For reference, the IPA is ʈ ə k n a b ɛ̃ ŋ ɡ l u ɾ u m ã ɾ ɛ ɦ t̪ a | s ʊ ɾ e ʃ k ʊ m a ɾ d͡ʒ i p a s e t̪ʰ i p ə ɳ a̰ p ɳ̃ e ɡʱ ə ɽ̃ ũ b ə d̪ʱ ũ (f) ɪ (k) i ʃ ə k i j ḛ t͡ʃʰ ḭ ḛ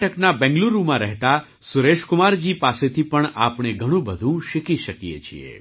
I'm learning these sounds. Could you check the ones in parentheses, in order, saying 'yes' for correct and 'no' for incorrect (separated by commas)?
no, yes